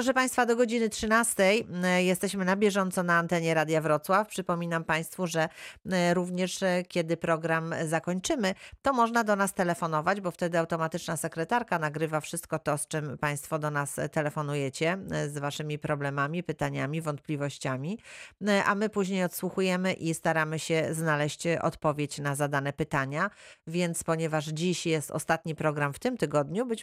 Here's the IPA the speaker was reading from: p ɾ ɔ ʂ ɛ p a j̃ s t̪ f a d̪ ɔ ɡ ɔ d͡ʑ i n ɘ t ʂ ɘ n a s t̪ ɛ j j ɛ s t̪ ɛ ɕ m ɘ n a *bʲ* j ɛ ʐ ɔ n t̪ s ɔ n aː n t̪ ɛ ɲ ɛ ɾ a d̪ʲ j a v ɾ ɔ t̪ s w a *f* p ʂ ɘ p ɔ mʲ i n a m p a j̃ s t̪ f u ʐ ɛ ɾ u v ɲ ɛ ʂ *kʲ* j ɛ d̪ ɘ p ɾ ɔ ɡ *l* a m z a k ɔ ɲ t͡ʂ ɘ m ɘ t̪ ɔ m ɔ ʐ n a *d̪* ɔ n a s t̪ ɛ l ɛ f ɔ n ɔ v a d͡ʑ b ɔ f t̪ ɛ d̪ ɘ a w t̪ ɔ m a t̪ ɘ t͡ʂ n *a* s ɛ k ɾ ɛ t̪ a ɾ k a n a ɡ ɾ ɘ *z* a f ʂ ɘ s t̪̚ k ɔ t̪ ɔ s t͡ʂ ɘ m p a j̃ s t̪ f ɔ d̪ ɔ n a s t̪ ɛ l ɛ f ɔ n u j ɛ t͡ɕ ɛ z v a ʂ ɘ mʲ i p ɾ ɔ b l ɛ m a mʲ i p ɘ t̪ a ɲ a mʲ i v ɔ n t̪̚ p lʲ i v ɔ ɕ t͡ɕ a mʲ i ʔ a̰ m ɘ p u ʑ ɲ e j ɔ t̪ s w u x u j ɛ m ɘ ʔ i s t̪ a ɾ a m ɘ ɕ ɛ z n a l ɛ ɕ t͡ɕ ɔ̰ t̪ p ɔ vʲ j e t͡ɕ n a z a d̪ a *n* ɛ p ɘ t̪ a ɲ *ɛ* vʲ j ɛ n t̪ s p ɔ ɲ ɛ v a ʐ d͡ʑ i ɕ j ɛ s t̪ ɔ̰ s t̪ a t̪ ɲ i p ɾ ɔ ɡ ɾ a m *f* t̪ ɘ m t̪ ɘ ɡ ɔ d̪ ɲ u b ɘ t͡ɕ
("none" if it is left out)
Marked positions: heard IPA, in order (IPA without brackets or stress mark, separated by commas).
bʲ, f, kʲ, ɾ, d̪, a, v, n, a, f